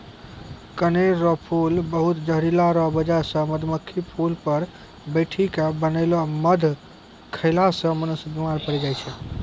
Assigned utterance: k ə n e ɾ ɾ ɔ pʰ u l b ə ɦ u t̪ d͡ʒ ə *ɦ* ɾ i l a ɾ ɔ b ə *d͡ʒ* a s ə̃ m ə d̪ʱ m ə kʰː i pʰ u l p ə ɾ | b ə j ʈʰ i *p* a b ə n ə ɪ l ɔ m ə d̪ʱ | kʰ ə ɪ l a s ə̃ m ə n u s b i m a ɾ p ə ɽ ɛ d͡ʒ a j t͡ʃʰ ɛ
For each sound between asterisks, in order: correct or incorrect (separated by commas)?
correct, correct, incorrect